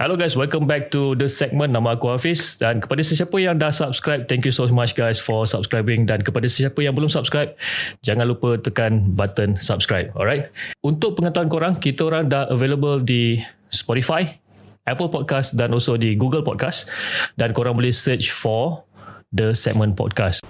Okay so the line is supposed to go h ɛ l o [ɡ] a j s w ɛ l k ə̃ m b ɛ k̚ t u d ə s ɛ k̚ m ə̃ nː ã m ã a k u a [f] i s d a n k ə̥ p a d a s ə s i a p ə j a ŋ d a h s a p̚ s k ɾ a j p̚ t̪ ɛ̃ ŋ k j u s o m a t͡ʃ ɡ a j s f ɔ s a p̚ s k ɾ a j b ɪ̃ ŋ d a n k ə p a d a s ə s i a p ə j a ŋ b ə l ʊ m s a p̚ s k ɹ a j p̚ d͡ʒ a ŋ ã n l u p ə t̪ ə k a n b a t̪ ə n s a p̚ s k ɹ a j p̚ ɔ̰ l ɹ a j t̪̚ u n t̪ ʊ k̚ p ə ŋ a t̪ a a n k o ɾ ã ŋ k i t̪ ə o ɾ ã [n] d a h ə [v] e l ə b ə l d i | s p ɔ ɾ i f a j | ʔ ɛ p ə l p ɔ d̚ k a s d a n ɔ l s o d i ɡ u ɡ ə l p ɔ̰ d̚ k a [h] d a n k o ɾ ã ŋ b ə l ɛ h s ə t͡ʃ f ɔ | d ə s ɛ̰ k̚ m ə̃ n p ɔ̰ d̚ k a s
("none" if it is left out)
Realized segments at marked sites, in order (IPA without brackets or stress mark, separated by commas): ɡ, f, ŋ, v, s